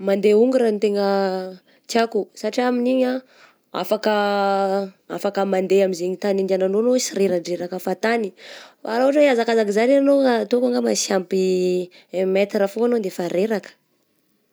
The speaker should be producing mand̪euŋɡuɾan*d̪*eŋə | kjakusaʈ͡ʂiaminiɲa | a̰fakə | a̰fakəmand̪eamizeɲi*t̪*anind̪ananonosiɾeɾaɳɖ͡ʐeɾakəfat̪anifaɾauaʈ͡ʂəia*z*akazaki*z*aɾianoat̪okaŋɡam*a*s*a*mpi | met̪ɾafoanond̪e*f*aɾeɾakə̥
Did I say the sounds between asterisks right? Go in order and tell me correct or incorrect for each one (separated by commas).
incorrect, correct, correct, correct, correct, correct, correct